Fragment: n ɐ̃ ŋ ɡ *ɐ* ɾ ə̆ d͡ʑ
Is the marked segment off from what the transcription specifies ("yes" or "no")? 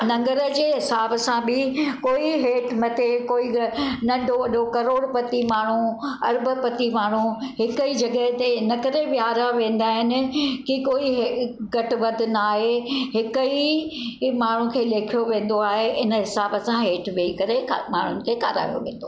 yes